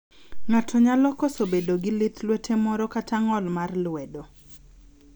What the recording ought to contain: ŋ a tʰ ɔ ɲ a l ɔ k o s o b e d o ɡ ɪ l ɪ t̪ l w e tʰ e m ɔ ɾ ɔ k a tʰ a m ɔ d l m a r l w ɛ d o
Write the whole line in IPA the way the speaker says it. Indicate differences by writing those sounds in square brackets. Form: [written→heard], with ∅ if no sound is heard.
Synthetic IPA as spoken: ŋ a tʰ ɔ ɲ a l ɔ k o s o b e d o ɡ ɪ l ɪ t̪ l w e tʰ e m ɔ ɾ ɔ k a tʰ a [m→ŋ] ɔ [d→∅] l m a r l w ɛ d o

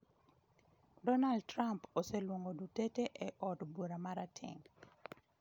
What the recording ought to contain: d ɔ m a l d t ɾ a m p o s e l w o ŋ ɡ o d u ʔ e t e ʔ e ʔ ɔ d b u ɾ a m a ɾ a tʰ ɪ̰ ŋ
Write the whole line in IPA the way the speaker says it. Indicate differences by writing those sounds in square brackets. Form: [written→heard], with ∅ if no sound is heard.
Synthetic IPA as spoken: d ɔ [m→n] a l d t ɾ a m p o s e l w o ŋ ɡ o d u [ʔ→t] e t e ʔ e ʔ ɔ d b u ɾ a m a ɾ a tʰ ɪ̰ ŋ

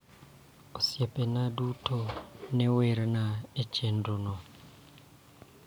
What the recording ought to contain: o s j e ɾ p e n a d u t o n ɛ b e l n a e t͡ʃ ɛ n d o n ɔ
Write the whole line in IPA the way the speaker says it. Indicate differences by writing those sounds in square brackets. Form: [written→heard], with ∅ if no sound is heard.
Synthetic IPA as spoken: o s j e [ɾ→∅] p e n a d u t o n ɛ [b→w] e [l→ɾ] n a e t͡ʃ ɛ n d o n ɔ

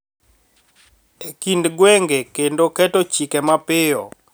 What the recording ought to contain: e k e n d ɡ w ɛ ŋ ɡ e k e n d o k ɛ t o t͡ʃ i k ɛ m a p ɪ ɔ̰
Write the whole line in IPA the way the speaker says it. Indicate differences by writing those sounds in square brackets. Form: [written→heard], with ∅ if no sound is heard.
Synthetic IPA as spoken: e k [e→i] n d ɡ w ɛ ŋ ɡ e k e n d o k ɛ t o t͡ʃ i k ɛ m a p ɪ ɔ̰

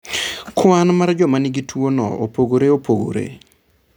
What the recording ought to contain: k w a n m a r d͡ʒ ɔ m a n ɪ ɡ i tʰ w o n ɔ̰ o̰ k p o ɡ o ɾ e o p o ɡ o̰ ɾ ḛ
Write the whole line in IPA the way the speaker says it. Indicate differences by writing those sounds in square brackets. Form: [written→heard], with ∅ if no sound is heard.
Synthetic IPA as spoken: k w a n m a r d͡ʒ ɔ m a n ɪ ɡ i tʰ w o n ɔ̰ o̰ [k→∅] p o ɡ o ɾ e o p o ɡ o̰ ɾ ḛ

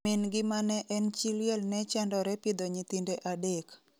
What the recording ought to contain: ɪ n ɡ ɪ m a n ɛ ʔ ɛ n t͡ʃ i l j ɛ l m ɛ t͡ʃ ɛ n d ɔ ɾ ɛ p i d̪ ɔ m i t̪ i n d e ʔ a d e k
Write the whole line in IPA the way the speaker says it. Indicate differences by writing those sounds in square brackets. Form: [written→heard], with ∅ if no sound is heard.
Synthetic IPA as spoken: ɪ n ɡ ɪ m a n ɛ ʔ ɛ n t͡ʃ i l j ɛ l [m→n] ɛ t͡ʃ ɛ n d ɔ ɾ ɛ p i d̪ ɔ [m→ɲ] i t̪ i n d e ʔ a d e k

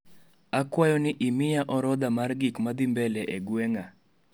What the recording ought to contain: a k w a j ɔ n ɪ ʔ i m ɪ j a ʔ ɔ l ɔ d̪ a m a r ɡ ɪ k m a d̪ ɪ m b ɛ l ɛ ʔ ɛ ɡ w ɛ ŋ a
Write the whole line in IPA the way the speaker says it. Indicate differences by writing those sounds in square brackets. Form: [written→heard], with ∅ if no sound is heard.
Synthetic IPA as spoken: a k w a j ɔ n ɪ ʔ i m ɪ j a ʔ ɔ [l→ɾ] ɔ d̪ a m a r ɡ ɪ k m a d̪ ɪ m b ɛ l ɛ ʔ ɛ ɡ w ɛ ŋ a

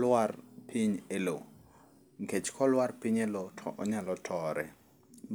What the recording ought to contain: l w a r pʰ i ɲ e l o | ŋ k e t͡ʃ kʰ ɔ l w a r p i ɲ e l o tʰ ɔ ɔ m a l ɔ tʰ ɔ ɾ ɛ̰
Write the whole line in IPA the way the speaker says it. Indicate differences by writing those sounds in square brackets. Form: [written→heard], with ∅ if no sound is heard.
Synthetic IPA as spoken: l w a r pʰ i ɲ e l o | ŋ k e t͡ʃ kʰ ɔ l w a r p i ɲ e l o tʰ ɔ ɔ [m→ɲ] a l ɔ tʰ ɔ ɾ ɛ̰

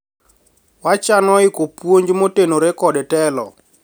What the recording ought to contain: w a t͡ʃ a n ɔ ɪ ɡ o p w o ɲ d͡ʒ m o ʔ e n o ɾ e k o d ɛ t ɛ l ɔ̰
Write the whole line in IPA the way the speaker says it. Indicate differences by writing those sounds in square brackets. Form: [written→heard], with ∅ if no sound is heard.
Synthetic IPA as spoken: w a t͡ʃ a n ɔ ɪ [ɡ→k] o p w o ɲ d͡ʒ m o [ʔ→t] e n o ɾ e k [o→ɔ] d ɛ t ɛ l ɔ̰

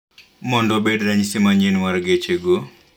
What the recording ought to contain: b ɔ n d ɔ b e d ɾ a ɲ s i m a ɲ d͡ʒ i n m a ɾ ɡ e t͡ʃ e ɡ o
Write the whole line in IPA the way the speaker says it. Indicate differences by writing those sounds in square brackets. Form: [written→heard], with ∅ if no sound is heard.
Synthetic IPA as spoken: [b→m] ɔ n d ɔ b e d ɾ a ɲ s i m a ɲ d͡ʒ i n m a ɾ ɡ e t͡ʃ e ɡ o

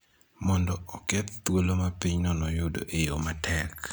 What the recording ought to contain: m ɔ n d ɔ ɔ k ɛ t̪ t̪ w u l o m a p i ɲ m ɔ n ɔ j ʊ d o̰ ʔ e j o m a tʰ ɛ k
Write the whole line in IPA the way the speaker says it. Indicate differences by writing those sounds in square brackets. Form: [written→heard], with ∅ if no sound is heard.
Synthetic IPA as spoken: m ɔ n d ɔ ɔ k ɛ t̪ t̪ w [u→o] l o m a p i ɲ [m→n] ɔ n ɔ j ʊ d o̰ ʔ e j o m a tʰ ɛ k

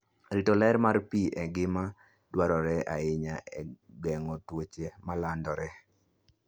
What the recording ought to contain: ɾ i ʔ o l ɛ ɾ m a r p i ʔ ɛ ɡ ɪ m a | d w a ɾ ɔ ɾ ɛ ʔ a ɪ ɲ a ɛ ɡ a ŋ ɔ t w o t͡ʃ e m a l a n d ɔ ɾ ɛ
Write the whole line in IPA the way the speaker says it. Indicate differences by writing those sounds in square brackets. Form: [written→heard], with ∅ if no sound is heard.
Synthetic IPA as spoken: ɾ i [ʔ→t] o l ɛ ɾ m a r p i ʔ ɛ ɡ ɪ m a | d w a ɾ ɔ ɾ ɛ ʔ a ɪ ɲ a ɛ ɡ [a→ɛ] ŋ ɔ t w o t͡ʃ e m a l a n d ɔ ɾ ɛ

